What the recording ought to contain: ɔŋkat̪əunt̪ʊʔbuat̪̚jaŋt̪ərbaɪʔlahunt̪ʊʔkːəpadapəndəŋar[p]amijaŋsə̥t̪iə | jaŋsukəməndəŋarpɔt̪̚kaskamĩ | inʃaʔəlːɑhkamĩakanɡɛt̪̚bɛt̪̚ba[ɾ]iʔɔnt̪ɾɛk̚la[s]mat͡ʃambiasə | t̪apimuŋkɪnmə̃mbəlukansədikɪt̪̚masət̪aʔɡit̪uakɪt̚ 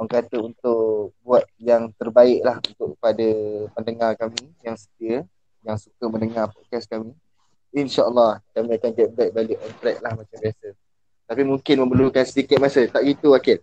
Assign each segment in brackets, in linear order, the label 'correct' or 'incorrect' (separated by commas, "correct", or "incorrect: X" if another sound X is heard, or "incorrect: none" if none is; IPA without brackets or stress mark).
incorrect: k, incorrect: l, incorrect: h